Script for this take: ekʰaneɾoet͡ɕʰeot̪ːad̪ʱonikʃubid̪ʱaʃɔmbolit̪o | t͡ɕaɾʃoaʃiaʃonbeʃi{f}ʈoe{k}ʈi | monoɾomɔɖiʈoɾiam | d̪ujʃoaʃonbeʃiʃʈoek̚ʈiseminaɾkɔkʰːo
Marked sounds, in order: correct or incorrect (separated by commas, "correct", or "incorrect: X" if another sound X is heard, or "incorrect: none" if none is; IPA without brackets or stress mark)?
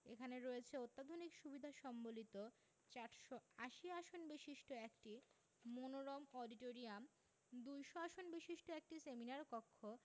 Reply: incorrect: ʃ, correct